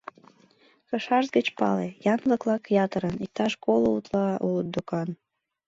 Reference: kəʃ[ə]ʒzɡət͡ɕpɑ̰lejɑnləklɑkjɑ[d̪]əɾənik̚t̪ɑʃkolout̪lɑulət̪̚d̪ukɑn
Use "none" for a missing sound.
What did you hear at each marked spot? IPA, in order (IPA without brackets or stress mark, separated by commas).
ɑ, t̪